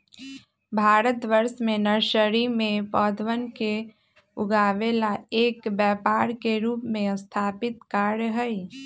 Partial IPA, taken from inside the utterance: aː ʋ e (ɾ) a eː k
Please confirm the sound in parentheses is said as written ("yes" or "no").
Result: no